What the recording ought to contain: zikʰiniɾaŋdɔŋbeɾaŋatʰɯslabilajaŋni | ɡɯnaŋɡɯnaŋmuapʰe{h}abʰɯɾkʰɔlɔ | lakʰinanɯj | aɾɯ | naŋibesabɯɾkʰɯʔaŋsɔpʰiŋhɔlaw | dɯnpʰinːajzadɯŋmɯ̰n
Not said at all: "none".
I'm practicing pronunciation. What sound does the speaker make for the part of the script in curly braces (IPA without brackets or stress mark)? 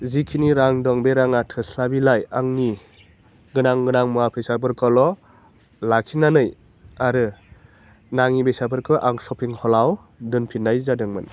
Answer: s